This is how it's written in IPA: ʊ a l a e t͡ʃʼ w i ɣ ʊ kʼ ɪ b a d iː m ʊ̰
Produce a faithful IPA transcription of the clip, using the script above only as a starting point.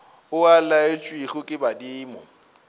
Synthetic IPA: ʊ a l a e t͡ʃʼ w i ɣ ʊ kʼ ɪ b a d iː m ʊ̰